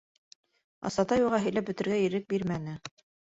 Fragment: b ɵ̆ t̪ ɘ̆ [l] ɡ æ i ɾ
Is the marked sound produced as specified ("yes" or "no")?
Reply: no